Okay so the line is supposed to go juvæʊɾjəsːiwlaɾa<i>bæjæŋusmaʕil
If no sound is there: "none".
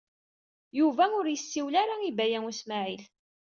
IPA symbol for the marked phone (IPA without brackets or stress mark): i